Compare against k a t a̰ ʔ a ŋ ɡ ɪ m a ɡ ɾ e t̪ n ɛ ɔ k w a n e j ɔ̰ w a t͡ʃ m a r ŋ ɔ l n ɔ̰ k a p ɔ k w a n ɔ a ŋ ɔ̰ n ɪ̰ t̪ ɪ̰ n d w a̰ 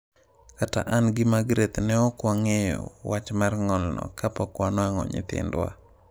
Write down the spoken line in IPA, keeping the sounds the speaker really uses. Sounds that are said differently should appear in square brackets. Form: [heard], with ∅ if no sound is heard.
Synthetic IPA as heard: k a t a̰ ʔ a [n] ɡ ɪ m a ɡ ɾ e t̪ n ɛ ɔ k w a [ŋ] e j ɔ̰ w a t͡ʃ m a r ŋ ɔ l n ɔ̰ k a p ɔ k w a n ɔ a ŋ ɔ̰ [ɲ] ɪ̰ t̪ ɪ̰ n d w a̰